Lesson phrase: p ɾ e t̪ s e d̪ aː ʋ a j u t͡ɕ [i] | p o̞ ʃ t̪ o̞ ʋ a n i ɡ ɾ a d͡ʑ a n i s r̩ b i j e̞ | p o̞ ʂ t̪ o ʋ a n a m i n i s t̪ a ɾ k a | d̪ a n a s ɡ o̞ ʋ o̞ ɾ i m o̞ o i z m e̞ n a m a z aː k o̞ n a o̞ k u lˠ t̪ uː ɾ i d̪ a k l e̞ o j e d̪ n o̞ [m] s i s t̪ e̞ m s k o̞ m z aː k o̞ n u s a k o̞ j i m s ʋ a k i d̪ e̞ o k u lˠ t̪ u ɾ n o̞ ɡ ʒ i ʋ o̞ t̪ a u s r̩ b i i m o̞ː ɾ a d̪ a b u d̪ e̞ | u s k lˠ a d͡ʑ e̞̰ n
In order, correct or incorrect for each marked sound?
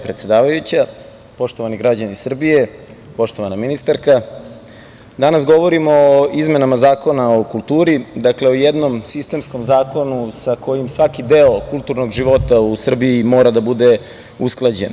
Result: incorrect: a, correct

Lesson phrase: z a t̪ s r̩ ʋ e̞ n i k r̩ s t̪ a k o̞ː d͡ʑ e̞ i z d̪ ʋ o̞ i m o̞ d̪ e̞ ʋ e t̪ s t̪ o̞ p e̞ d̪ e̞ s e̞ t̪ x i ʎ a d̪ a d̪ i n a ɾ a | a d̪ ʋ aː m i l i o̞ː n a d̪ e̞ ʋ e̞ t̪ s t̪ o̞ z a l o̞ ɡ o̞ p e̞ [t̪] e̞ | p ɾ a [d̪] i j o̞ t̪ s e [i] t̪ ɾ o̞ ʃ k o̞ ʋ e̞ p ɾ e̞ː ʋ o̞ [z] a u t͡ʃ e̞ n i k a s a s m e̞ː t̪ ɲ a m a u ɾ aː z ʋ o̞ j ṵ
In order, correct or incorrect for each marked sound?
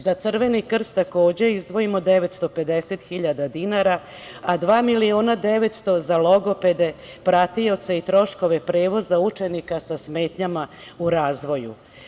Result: incorrect: d̪, incorrect: t̪, correct, correct

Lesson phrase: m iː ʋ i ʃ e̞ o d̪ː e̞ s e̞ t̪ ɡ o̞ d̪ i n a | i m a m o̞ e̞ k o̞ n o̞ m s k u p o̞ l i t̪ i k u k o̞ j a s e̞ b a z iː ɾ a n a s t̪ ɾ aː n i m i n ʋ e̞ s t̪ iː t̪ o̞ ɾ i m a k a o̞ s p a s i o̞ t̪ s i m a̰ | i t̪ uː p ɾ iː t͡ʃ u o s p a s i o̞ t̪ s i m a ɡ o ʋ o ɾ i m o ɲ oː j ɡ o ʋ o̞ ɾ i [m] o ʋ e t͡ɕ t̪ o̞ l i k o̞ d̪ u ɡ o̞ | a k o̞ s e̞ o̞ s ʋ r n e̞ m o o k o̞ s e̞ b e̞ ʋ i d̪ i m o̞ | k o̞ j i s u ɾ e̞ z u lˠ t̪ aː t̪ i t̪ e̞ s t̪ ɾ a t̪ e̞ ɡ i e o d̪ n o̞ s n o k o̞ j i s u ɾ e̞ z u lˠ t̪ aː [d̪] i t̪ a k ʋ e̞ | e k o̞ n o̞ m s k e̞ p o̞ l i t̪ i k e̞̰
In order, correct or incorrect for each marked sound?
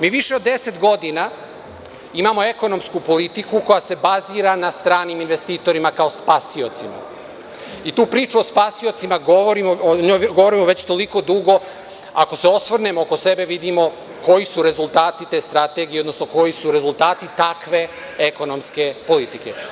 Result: correct, incorrect: t̪

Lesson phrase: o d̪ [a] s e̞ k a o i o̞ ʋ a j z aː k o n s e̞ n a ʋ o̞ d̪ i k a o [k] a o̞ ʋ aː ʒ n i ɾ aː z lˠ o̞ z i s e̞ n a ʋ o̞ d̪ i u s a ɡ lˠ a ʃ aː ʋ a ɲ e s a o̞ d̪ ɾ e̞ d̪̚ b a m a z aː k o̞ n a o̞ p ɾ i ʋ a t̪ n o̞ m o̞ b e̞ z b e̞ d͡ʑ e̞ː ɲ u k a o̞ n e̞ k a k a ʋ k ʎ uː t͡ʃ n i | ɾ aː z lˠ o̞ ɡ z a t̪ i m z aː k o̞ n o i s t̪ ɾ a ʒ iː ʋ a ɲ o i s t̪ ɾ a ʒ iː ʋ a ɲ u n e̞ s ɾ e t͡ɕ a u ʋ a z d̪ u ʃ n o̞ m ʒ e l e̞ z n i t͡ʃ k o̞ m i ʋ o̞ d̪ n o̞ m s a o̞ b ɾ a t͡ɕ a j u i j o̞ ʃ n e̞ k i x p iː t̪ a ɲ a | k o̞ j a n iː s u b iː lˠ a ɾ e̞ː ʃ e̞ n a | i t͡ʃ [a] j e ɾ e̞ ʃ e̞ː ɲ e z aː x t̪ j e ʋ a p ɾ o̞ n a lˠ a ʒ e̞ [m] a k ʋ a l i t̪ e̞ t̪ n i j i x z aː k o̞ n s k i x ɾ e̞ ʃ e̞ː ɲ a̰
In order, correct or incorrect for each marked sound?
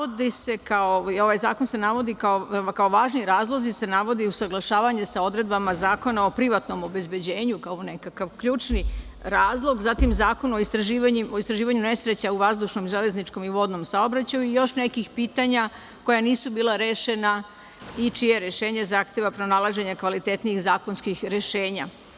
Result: incorrect: i, correct, incorrect: i, incorrect: ɲ

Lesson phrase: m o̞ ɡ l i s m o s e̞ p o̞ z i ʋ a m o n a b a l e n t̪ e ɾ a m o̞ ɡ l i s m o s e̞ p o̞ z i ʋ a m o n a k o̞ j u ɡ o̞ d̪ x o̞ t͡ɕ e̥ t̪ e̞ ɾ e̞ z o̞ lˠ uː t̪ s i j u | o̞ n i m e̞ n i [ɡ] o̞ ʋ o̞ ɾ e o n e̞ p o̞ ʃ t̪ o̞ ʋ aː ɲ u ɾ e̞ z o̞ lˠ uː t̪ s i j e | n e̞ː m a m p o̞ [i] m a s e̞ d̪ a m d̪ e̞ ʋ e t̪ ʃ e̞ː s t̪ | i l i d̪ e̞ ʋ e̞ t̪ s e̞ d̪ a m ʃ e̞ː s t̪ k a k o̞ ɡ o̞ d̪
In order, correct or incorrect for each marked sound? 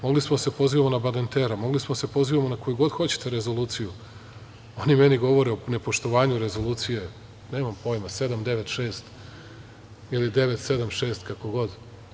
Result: correct, incorrect: j

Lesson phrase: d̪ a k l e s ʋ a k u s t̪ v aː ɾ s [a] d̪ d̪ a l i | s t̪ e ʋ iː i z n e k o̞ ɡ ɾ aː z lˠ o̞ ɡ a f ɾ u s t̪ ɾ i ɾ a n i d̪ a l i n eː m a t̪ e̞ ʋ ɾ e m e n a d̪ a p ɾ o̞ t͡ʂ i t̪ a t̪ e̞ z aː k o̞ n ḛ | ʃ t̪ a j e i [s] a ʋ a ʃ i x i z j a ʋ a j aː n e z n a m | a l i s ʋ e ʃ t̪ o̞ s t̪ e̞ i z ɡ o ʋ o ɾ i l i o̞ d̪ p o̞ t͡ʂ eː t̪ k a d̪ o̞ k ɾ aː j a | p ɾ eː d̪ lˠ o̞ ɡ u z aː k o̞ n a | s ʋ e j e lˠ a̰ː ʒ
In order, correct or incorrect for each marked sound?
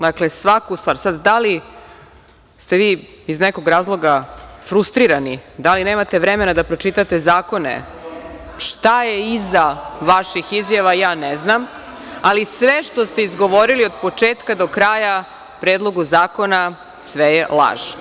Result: correct, incorrect: z

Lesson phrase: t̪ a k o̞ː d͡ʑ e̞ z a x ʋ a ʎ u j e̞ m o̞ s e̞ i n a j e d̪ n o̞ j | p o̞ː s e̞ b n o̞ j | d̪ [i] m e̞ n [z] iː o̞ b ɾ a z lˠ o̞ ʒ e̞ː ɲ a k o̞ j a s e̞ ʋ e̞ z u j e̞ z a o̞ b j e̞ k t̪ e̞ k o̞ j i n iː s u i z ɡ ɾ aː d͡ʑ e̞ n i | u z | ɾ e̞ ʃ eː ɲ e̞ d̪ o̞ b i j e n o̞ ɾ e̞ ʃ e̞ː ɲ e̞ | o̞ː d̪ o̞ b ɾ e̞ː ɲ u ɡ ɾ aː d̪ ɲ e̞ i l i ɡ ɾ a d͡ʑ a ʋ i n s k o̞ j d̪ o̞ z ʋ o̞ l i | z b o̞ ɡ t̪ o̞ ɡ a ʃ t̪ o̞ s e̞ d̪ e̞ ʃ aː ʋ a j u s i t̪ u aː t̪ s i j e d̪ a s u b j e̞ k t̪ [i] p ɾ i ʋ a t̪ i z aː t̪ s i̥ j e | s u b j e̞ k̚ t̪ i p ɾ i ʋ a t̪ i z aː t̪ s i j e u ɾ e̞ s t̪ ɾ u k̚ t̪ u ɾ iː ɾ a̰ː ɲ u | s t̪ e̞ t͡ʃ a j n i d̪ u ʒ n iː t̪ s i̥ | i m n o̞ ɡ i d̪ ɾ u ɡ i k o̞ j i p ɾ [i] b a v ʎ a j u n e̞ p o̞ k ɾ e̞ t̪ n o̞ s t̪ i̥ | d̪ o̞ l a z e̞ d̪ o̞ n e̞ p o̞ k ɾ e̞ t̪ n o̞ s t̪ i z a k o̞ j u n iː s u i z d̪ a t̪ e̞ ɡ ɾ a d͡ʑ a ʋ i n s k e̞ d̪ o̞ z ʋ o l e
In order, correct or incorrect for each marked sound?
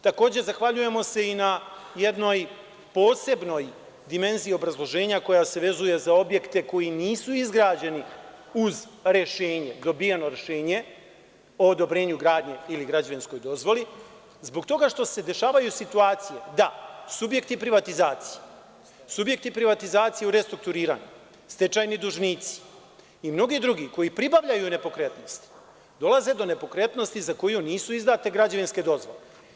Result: correct, correct, correct, correct

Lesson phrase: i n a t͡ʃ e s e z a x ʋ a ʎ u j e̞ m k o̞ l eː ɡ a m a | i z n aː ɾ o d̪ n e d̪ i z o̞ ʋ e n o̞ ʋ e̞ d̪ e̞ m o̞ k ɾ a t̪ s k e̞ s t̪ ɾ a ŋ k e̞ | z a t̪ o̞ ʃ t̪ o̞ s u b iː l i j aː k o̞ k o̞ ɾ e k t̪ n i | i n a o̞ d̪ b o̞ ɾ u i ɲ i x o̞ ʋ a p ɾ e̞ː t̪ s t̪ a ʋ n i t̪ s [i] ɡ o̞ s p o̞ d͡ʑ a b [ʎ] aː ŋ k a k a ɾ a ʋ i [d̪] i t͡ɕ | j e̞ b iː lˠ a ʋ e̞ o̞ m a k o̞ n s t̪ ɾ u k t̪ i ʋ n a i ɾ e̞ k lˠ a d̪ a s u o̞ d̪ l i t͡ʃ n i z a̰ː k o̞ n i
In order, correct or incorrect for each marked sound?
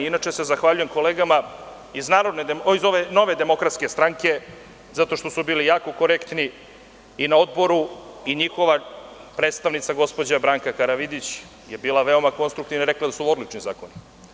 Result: incorrect: a, incorrect: ɾ, correct

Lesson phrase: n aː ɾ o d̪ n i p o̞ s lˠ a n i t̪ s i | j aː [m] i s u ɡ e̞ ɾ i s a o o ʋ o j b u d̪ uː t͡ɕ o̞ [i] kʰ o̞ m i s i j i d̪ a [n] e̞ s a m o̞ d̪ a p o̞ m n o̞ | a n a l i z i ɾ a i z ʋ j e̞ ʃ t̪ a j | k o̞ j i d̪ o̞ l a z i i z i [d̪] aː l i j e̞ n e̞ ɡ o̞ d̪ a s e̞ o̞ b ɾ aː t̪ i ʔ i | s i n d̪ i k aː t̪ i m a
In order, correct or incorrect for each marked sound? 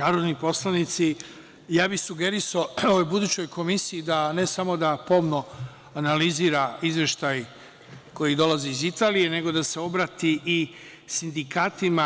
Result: incorrect: b, incorrect: j, correct, incorrect: t̪

